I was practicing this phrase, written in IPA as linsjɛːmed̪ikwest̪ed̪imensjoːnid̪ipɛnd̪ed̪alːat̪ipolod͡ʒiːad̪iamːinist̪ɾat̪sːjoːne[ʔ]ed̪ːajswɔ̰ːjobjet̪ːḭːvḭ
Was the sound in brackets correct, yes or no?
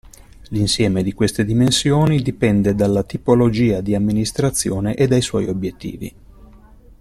yes